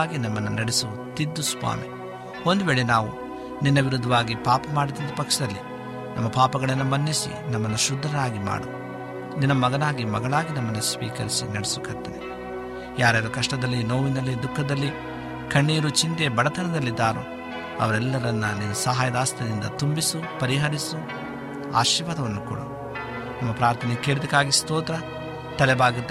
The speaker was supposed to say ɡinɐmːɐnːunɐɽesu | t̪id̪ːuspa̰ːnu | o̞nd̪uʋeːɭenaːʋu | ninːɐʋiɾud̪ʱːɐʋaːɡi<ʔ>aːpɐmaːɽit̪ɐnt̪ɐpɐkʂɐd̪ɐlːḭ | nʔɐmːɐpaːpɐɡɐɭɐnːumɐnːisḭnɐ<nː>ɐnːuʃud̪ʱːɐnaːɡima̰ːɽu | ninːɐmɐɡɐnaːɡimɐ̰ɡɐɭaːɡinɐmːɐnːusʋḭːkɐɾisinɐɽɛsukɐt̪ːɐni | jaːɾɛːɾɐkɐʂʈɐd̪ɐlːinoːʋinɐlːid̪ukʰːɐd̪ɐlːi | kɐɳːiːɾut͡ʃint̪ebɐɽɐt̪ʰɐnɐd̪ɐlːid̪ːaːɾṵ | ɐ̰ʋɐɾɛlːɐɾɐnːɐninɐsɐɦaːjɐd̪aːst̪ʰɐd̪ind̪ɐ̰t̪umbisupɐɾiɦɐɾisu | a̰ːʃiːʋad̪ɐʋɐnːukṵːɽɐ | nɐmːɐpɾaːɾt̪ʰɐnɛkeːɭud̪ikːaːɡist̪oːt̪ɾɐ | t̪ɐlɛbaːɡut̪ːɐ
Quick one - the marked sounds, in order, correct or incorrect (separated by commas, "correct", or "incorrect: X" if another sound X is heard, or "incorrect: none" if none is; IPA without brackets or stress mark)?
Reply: incorrect: p, incorrect: mː